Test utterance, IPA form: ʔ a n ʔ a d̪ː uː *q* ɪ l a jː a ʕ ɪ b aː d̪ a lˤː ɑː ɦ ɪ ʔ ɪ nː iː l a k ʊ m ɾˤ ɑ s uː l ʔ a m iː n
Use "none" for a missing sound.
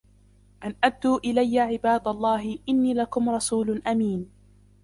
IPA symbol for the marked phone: ʔ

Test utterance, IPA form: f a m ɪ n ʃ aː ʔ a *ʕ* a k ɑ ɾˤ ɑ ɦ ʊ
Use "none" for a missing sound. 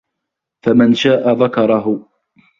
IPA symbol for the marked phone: ð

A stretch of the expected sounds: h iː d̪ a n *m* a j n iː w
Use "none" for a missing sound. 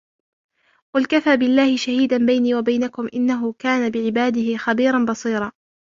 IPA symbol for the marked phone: b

